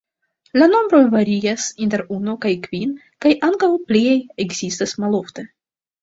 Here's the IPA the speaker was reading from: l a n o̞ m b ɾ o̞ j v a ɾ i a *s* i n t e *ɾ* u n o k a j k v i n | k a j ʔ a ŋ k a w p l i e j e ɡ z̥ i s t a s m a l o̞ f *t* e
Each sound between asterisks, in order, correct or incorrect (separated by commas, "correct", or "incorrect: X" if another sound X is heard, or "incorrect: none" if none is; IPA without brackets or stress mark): correct, correct, correct